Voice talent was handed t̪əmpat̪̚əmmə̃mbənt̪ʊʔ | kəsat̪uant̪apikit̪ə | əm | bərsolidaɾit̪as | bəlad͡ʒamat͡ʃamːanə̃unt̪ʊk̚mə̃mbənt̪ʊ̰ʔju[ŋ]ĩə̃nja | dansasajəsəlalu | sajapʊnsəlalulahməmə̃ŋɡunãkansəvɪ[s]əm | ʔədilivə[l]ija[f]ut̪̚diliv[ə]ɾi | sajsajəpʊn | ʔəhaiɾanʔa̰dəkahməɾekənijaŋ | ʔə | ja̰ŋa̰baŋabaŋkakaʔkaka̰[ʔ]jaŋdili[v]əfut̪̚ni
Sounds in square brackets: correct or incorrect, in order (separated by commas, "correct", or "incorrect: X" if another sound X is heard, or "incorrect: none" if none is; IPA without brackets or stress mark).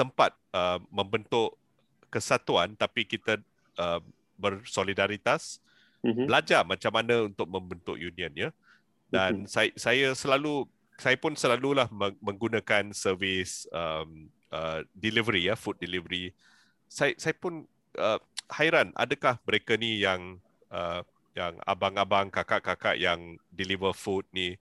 incorrect: n, correct, incorrect: ɾ, correct, correct, correct, correct